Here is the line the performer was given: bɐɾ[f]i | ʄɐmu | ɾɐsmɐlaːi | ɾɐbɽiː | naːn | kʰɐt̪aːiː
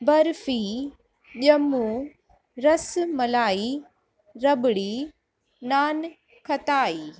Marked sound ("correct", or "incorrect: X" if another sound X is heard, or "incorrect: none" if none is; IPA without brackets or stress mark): correct